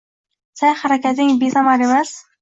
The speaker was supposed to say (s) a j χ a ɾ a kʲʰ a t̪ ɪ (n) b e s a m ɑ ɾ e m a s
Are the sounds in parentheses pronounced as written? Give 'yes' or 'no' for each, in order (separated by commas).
yes, no